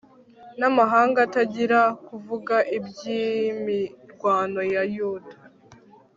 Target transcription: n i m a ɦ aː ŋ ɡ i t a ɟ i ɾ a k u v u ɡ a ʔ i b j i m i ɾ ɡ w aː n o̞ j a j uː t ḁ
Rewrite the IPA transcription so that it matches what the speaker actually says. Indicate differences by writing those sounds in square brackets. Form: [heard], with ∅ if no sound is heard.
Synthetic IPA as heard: n [a] m a ɦ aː ŋ ɡ [a] t a ɟ i ɾ a k u v u ɡ a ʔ i b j i m i ɾ ɡ w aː n o̞ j a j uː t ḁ